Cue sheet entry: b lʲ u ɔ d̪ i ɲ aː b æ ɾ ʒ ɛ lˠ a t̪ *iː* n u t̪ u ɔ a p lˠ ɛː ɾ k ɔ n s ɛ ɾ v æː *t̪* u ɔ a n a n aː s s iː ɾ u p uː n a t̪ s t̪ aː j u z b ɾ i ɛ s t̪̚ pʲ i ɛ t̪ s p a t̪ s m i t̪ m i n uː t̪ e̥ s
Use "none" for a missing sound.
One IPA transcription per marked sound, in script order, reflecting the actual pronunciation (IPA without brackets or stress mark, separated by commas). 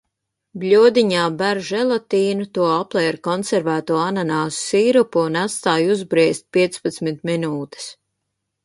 iː, t̪